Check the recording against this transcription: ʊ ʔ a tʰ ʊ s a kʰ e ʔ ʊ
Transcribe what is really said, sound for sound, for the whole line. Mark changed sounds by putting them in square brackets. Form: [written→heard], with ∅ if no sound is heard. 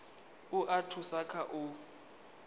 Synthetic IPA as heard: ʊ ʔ a tʰ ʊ s a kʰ [e→a] ʔ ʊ